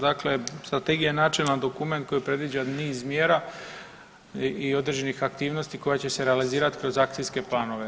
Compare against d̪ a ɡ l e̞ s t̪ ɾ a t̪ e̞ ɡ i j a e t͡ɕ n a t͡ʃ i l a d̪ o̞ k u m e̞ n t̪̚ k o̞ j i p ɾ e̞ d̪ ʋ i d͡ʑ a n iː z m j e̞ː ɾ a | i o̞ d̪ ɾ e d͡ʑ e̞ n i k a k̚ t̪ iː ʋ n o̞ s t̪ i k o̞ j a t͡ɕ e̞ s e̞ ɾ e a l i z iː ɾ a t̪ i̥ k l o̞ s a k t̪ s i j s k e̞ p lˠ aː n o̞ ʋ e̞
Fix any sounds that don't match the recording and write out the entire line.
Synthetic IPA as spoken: d̪ a k l e̞ s t̪ ɾ a t̪ e̞ ɡ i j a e n a t͡ʃ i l a d̪ o̞ k u m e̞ n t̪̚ k o̞ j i p ɾ e̞ d̪ ʋ i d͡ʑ a n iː z m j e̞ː ɾ a | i o̞ d̪ ɾ e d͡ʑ e̞ n i x a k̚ t̪ iː ʋ n o̞ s t̪ i k o̞ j a t͡ɕ e̞ s e̞ ɾ e a l i z iː ɾ a t̪ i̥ k ɾ o̞ z a k t̪ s i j s k e̞ p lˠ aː n o̞ ʋ e̞